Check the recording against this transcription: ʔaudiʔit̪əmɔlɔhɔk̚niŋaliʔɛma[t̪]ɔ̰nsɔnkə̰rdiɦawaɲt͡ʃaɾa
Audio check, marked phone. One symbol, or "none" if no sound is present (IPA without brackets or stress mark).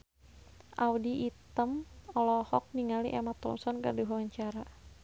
t̪